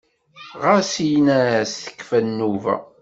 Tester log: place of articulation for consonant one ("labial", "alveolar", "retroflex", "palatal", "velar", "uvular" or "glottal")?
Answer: uvular